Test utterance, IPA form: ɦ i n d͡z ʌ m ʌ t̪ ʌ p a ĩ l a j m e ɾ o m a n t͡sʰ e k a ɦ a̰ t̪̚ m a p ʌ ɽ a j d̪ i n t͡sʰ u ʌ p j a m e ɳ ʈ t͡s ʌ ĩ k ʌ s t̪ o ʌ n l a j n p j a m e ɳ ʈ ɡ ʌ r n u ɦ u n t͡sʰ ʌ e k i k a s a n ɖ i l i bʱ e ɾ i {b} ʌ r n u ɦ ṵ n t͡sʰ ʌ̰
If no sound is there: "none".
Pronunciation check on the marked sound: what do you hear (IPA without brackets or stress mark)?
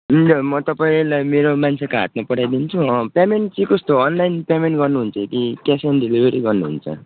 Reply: ɡ